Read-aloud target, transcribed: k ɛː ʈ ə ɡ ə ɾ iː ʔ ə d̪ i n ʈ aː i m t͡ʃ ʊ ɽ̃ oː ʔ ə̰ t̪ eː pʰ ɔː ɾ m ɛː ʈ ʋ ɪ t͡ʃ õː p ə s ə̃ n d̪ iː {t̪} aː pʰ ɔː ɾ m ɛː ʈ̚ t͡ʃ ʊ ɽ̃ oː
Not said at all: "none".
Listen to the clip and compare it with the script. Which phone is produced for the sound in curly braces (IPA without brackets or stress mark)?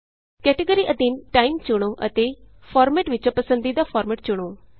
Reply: d̪